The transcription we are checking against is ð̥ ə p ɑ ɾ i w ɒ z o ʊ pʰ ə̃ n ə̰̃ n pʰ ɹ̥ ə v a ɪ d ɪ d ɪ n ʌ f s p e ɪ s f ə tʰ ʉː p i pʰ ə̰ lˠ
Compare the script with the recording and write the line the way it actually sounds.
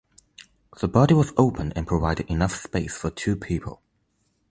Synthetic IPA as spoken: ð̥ ə b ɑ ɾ i w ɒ z o ʊ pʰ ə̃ n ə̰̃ n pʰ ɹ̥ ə v a ɪ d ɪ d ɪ n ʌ f s p e ɪ s f ə tʰ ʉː pʰ i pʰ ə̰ lˠ